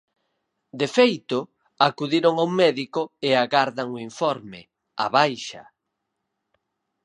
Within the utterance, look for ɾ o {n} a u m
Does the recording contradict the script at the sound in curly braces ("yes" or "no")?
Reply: yes